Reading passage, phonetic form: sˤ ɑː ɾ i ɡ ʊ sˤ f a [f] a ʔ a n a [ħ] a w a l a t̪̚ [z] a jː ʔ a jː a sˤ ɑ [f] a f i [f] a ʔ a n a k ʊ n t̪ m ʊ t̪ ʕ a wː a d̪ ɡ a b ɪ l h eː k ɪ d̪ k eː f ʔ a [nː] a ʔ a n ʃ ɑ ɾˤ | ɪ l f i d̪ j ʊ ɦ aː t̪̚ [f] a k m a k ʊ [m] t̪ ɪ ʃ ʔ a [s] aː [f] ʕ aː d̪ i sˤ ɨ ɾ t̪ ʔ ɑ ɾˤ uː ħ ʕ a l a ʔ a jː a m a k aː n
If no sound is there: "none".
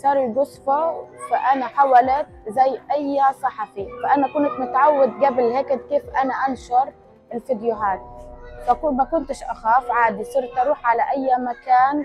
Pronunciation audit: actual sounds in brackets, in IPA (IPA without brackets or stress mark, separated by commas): f, ħ, z, ħ, f, n, f, n, x, f